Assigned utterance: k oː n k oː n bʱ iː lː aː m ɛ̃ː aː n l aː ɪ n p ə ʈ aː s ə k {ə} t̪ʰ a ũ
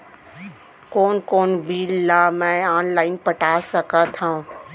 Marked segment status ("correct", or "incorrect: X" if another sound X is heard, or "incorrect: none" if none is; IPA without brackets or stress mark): incorrect: a